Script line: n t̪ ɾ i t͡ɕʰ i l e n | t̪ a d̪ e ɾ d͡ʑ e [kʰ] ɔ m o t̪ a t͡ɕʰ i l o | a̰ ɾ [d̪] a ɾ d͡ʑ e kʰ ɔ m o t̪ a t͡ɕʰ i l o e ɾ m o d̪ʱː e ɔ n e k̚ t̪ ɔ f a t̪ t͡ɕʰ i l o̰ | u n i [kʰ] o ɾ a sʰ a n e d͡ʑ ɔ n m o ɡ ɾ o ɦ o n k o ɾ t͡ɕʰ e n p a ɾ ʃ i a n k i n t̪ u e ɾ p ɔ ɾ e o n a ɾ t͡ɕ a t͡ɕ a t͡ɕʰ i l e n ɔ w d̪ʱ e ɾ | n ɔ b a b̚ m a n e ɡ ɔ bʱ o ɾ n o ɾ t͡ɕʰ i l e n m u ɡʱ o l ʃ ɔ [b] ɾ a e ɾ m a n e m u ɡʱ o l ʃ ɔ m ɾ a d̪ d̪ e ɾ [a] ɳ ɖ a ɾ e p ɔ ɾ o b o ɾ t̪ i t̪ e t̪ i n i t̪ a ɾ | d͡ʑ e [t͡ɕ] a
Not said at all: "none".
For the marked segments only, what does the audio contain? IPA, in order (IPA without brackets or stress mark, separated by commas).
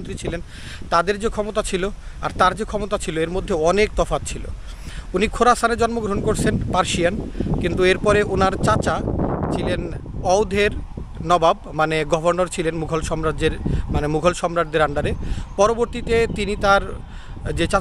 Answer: kʰ, t̪, kʰ, m, a, t͡ɕ